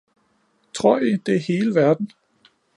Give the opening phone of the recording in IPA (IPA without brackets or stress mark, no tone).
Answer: t͡sʰ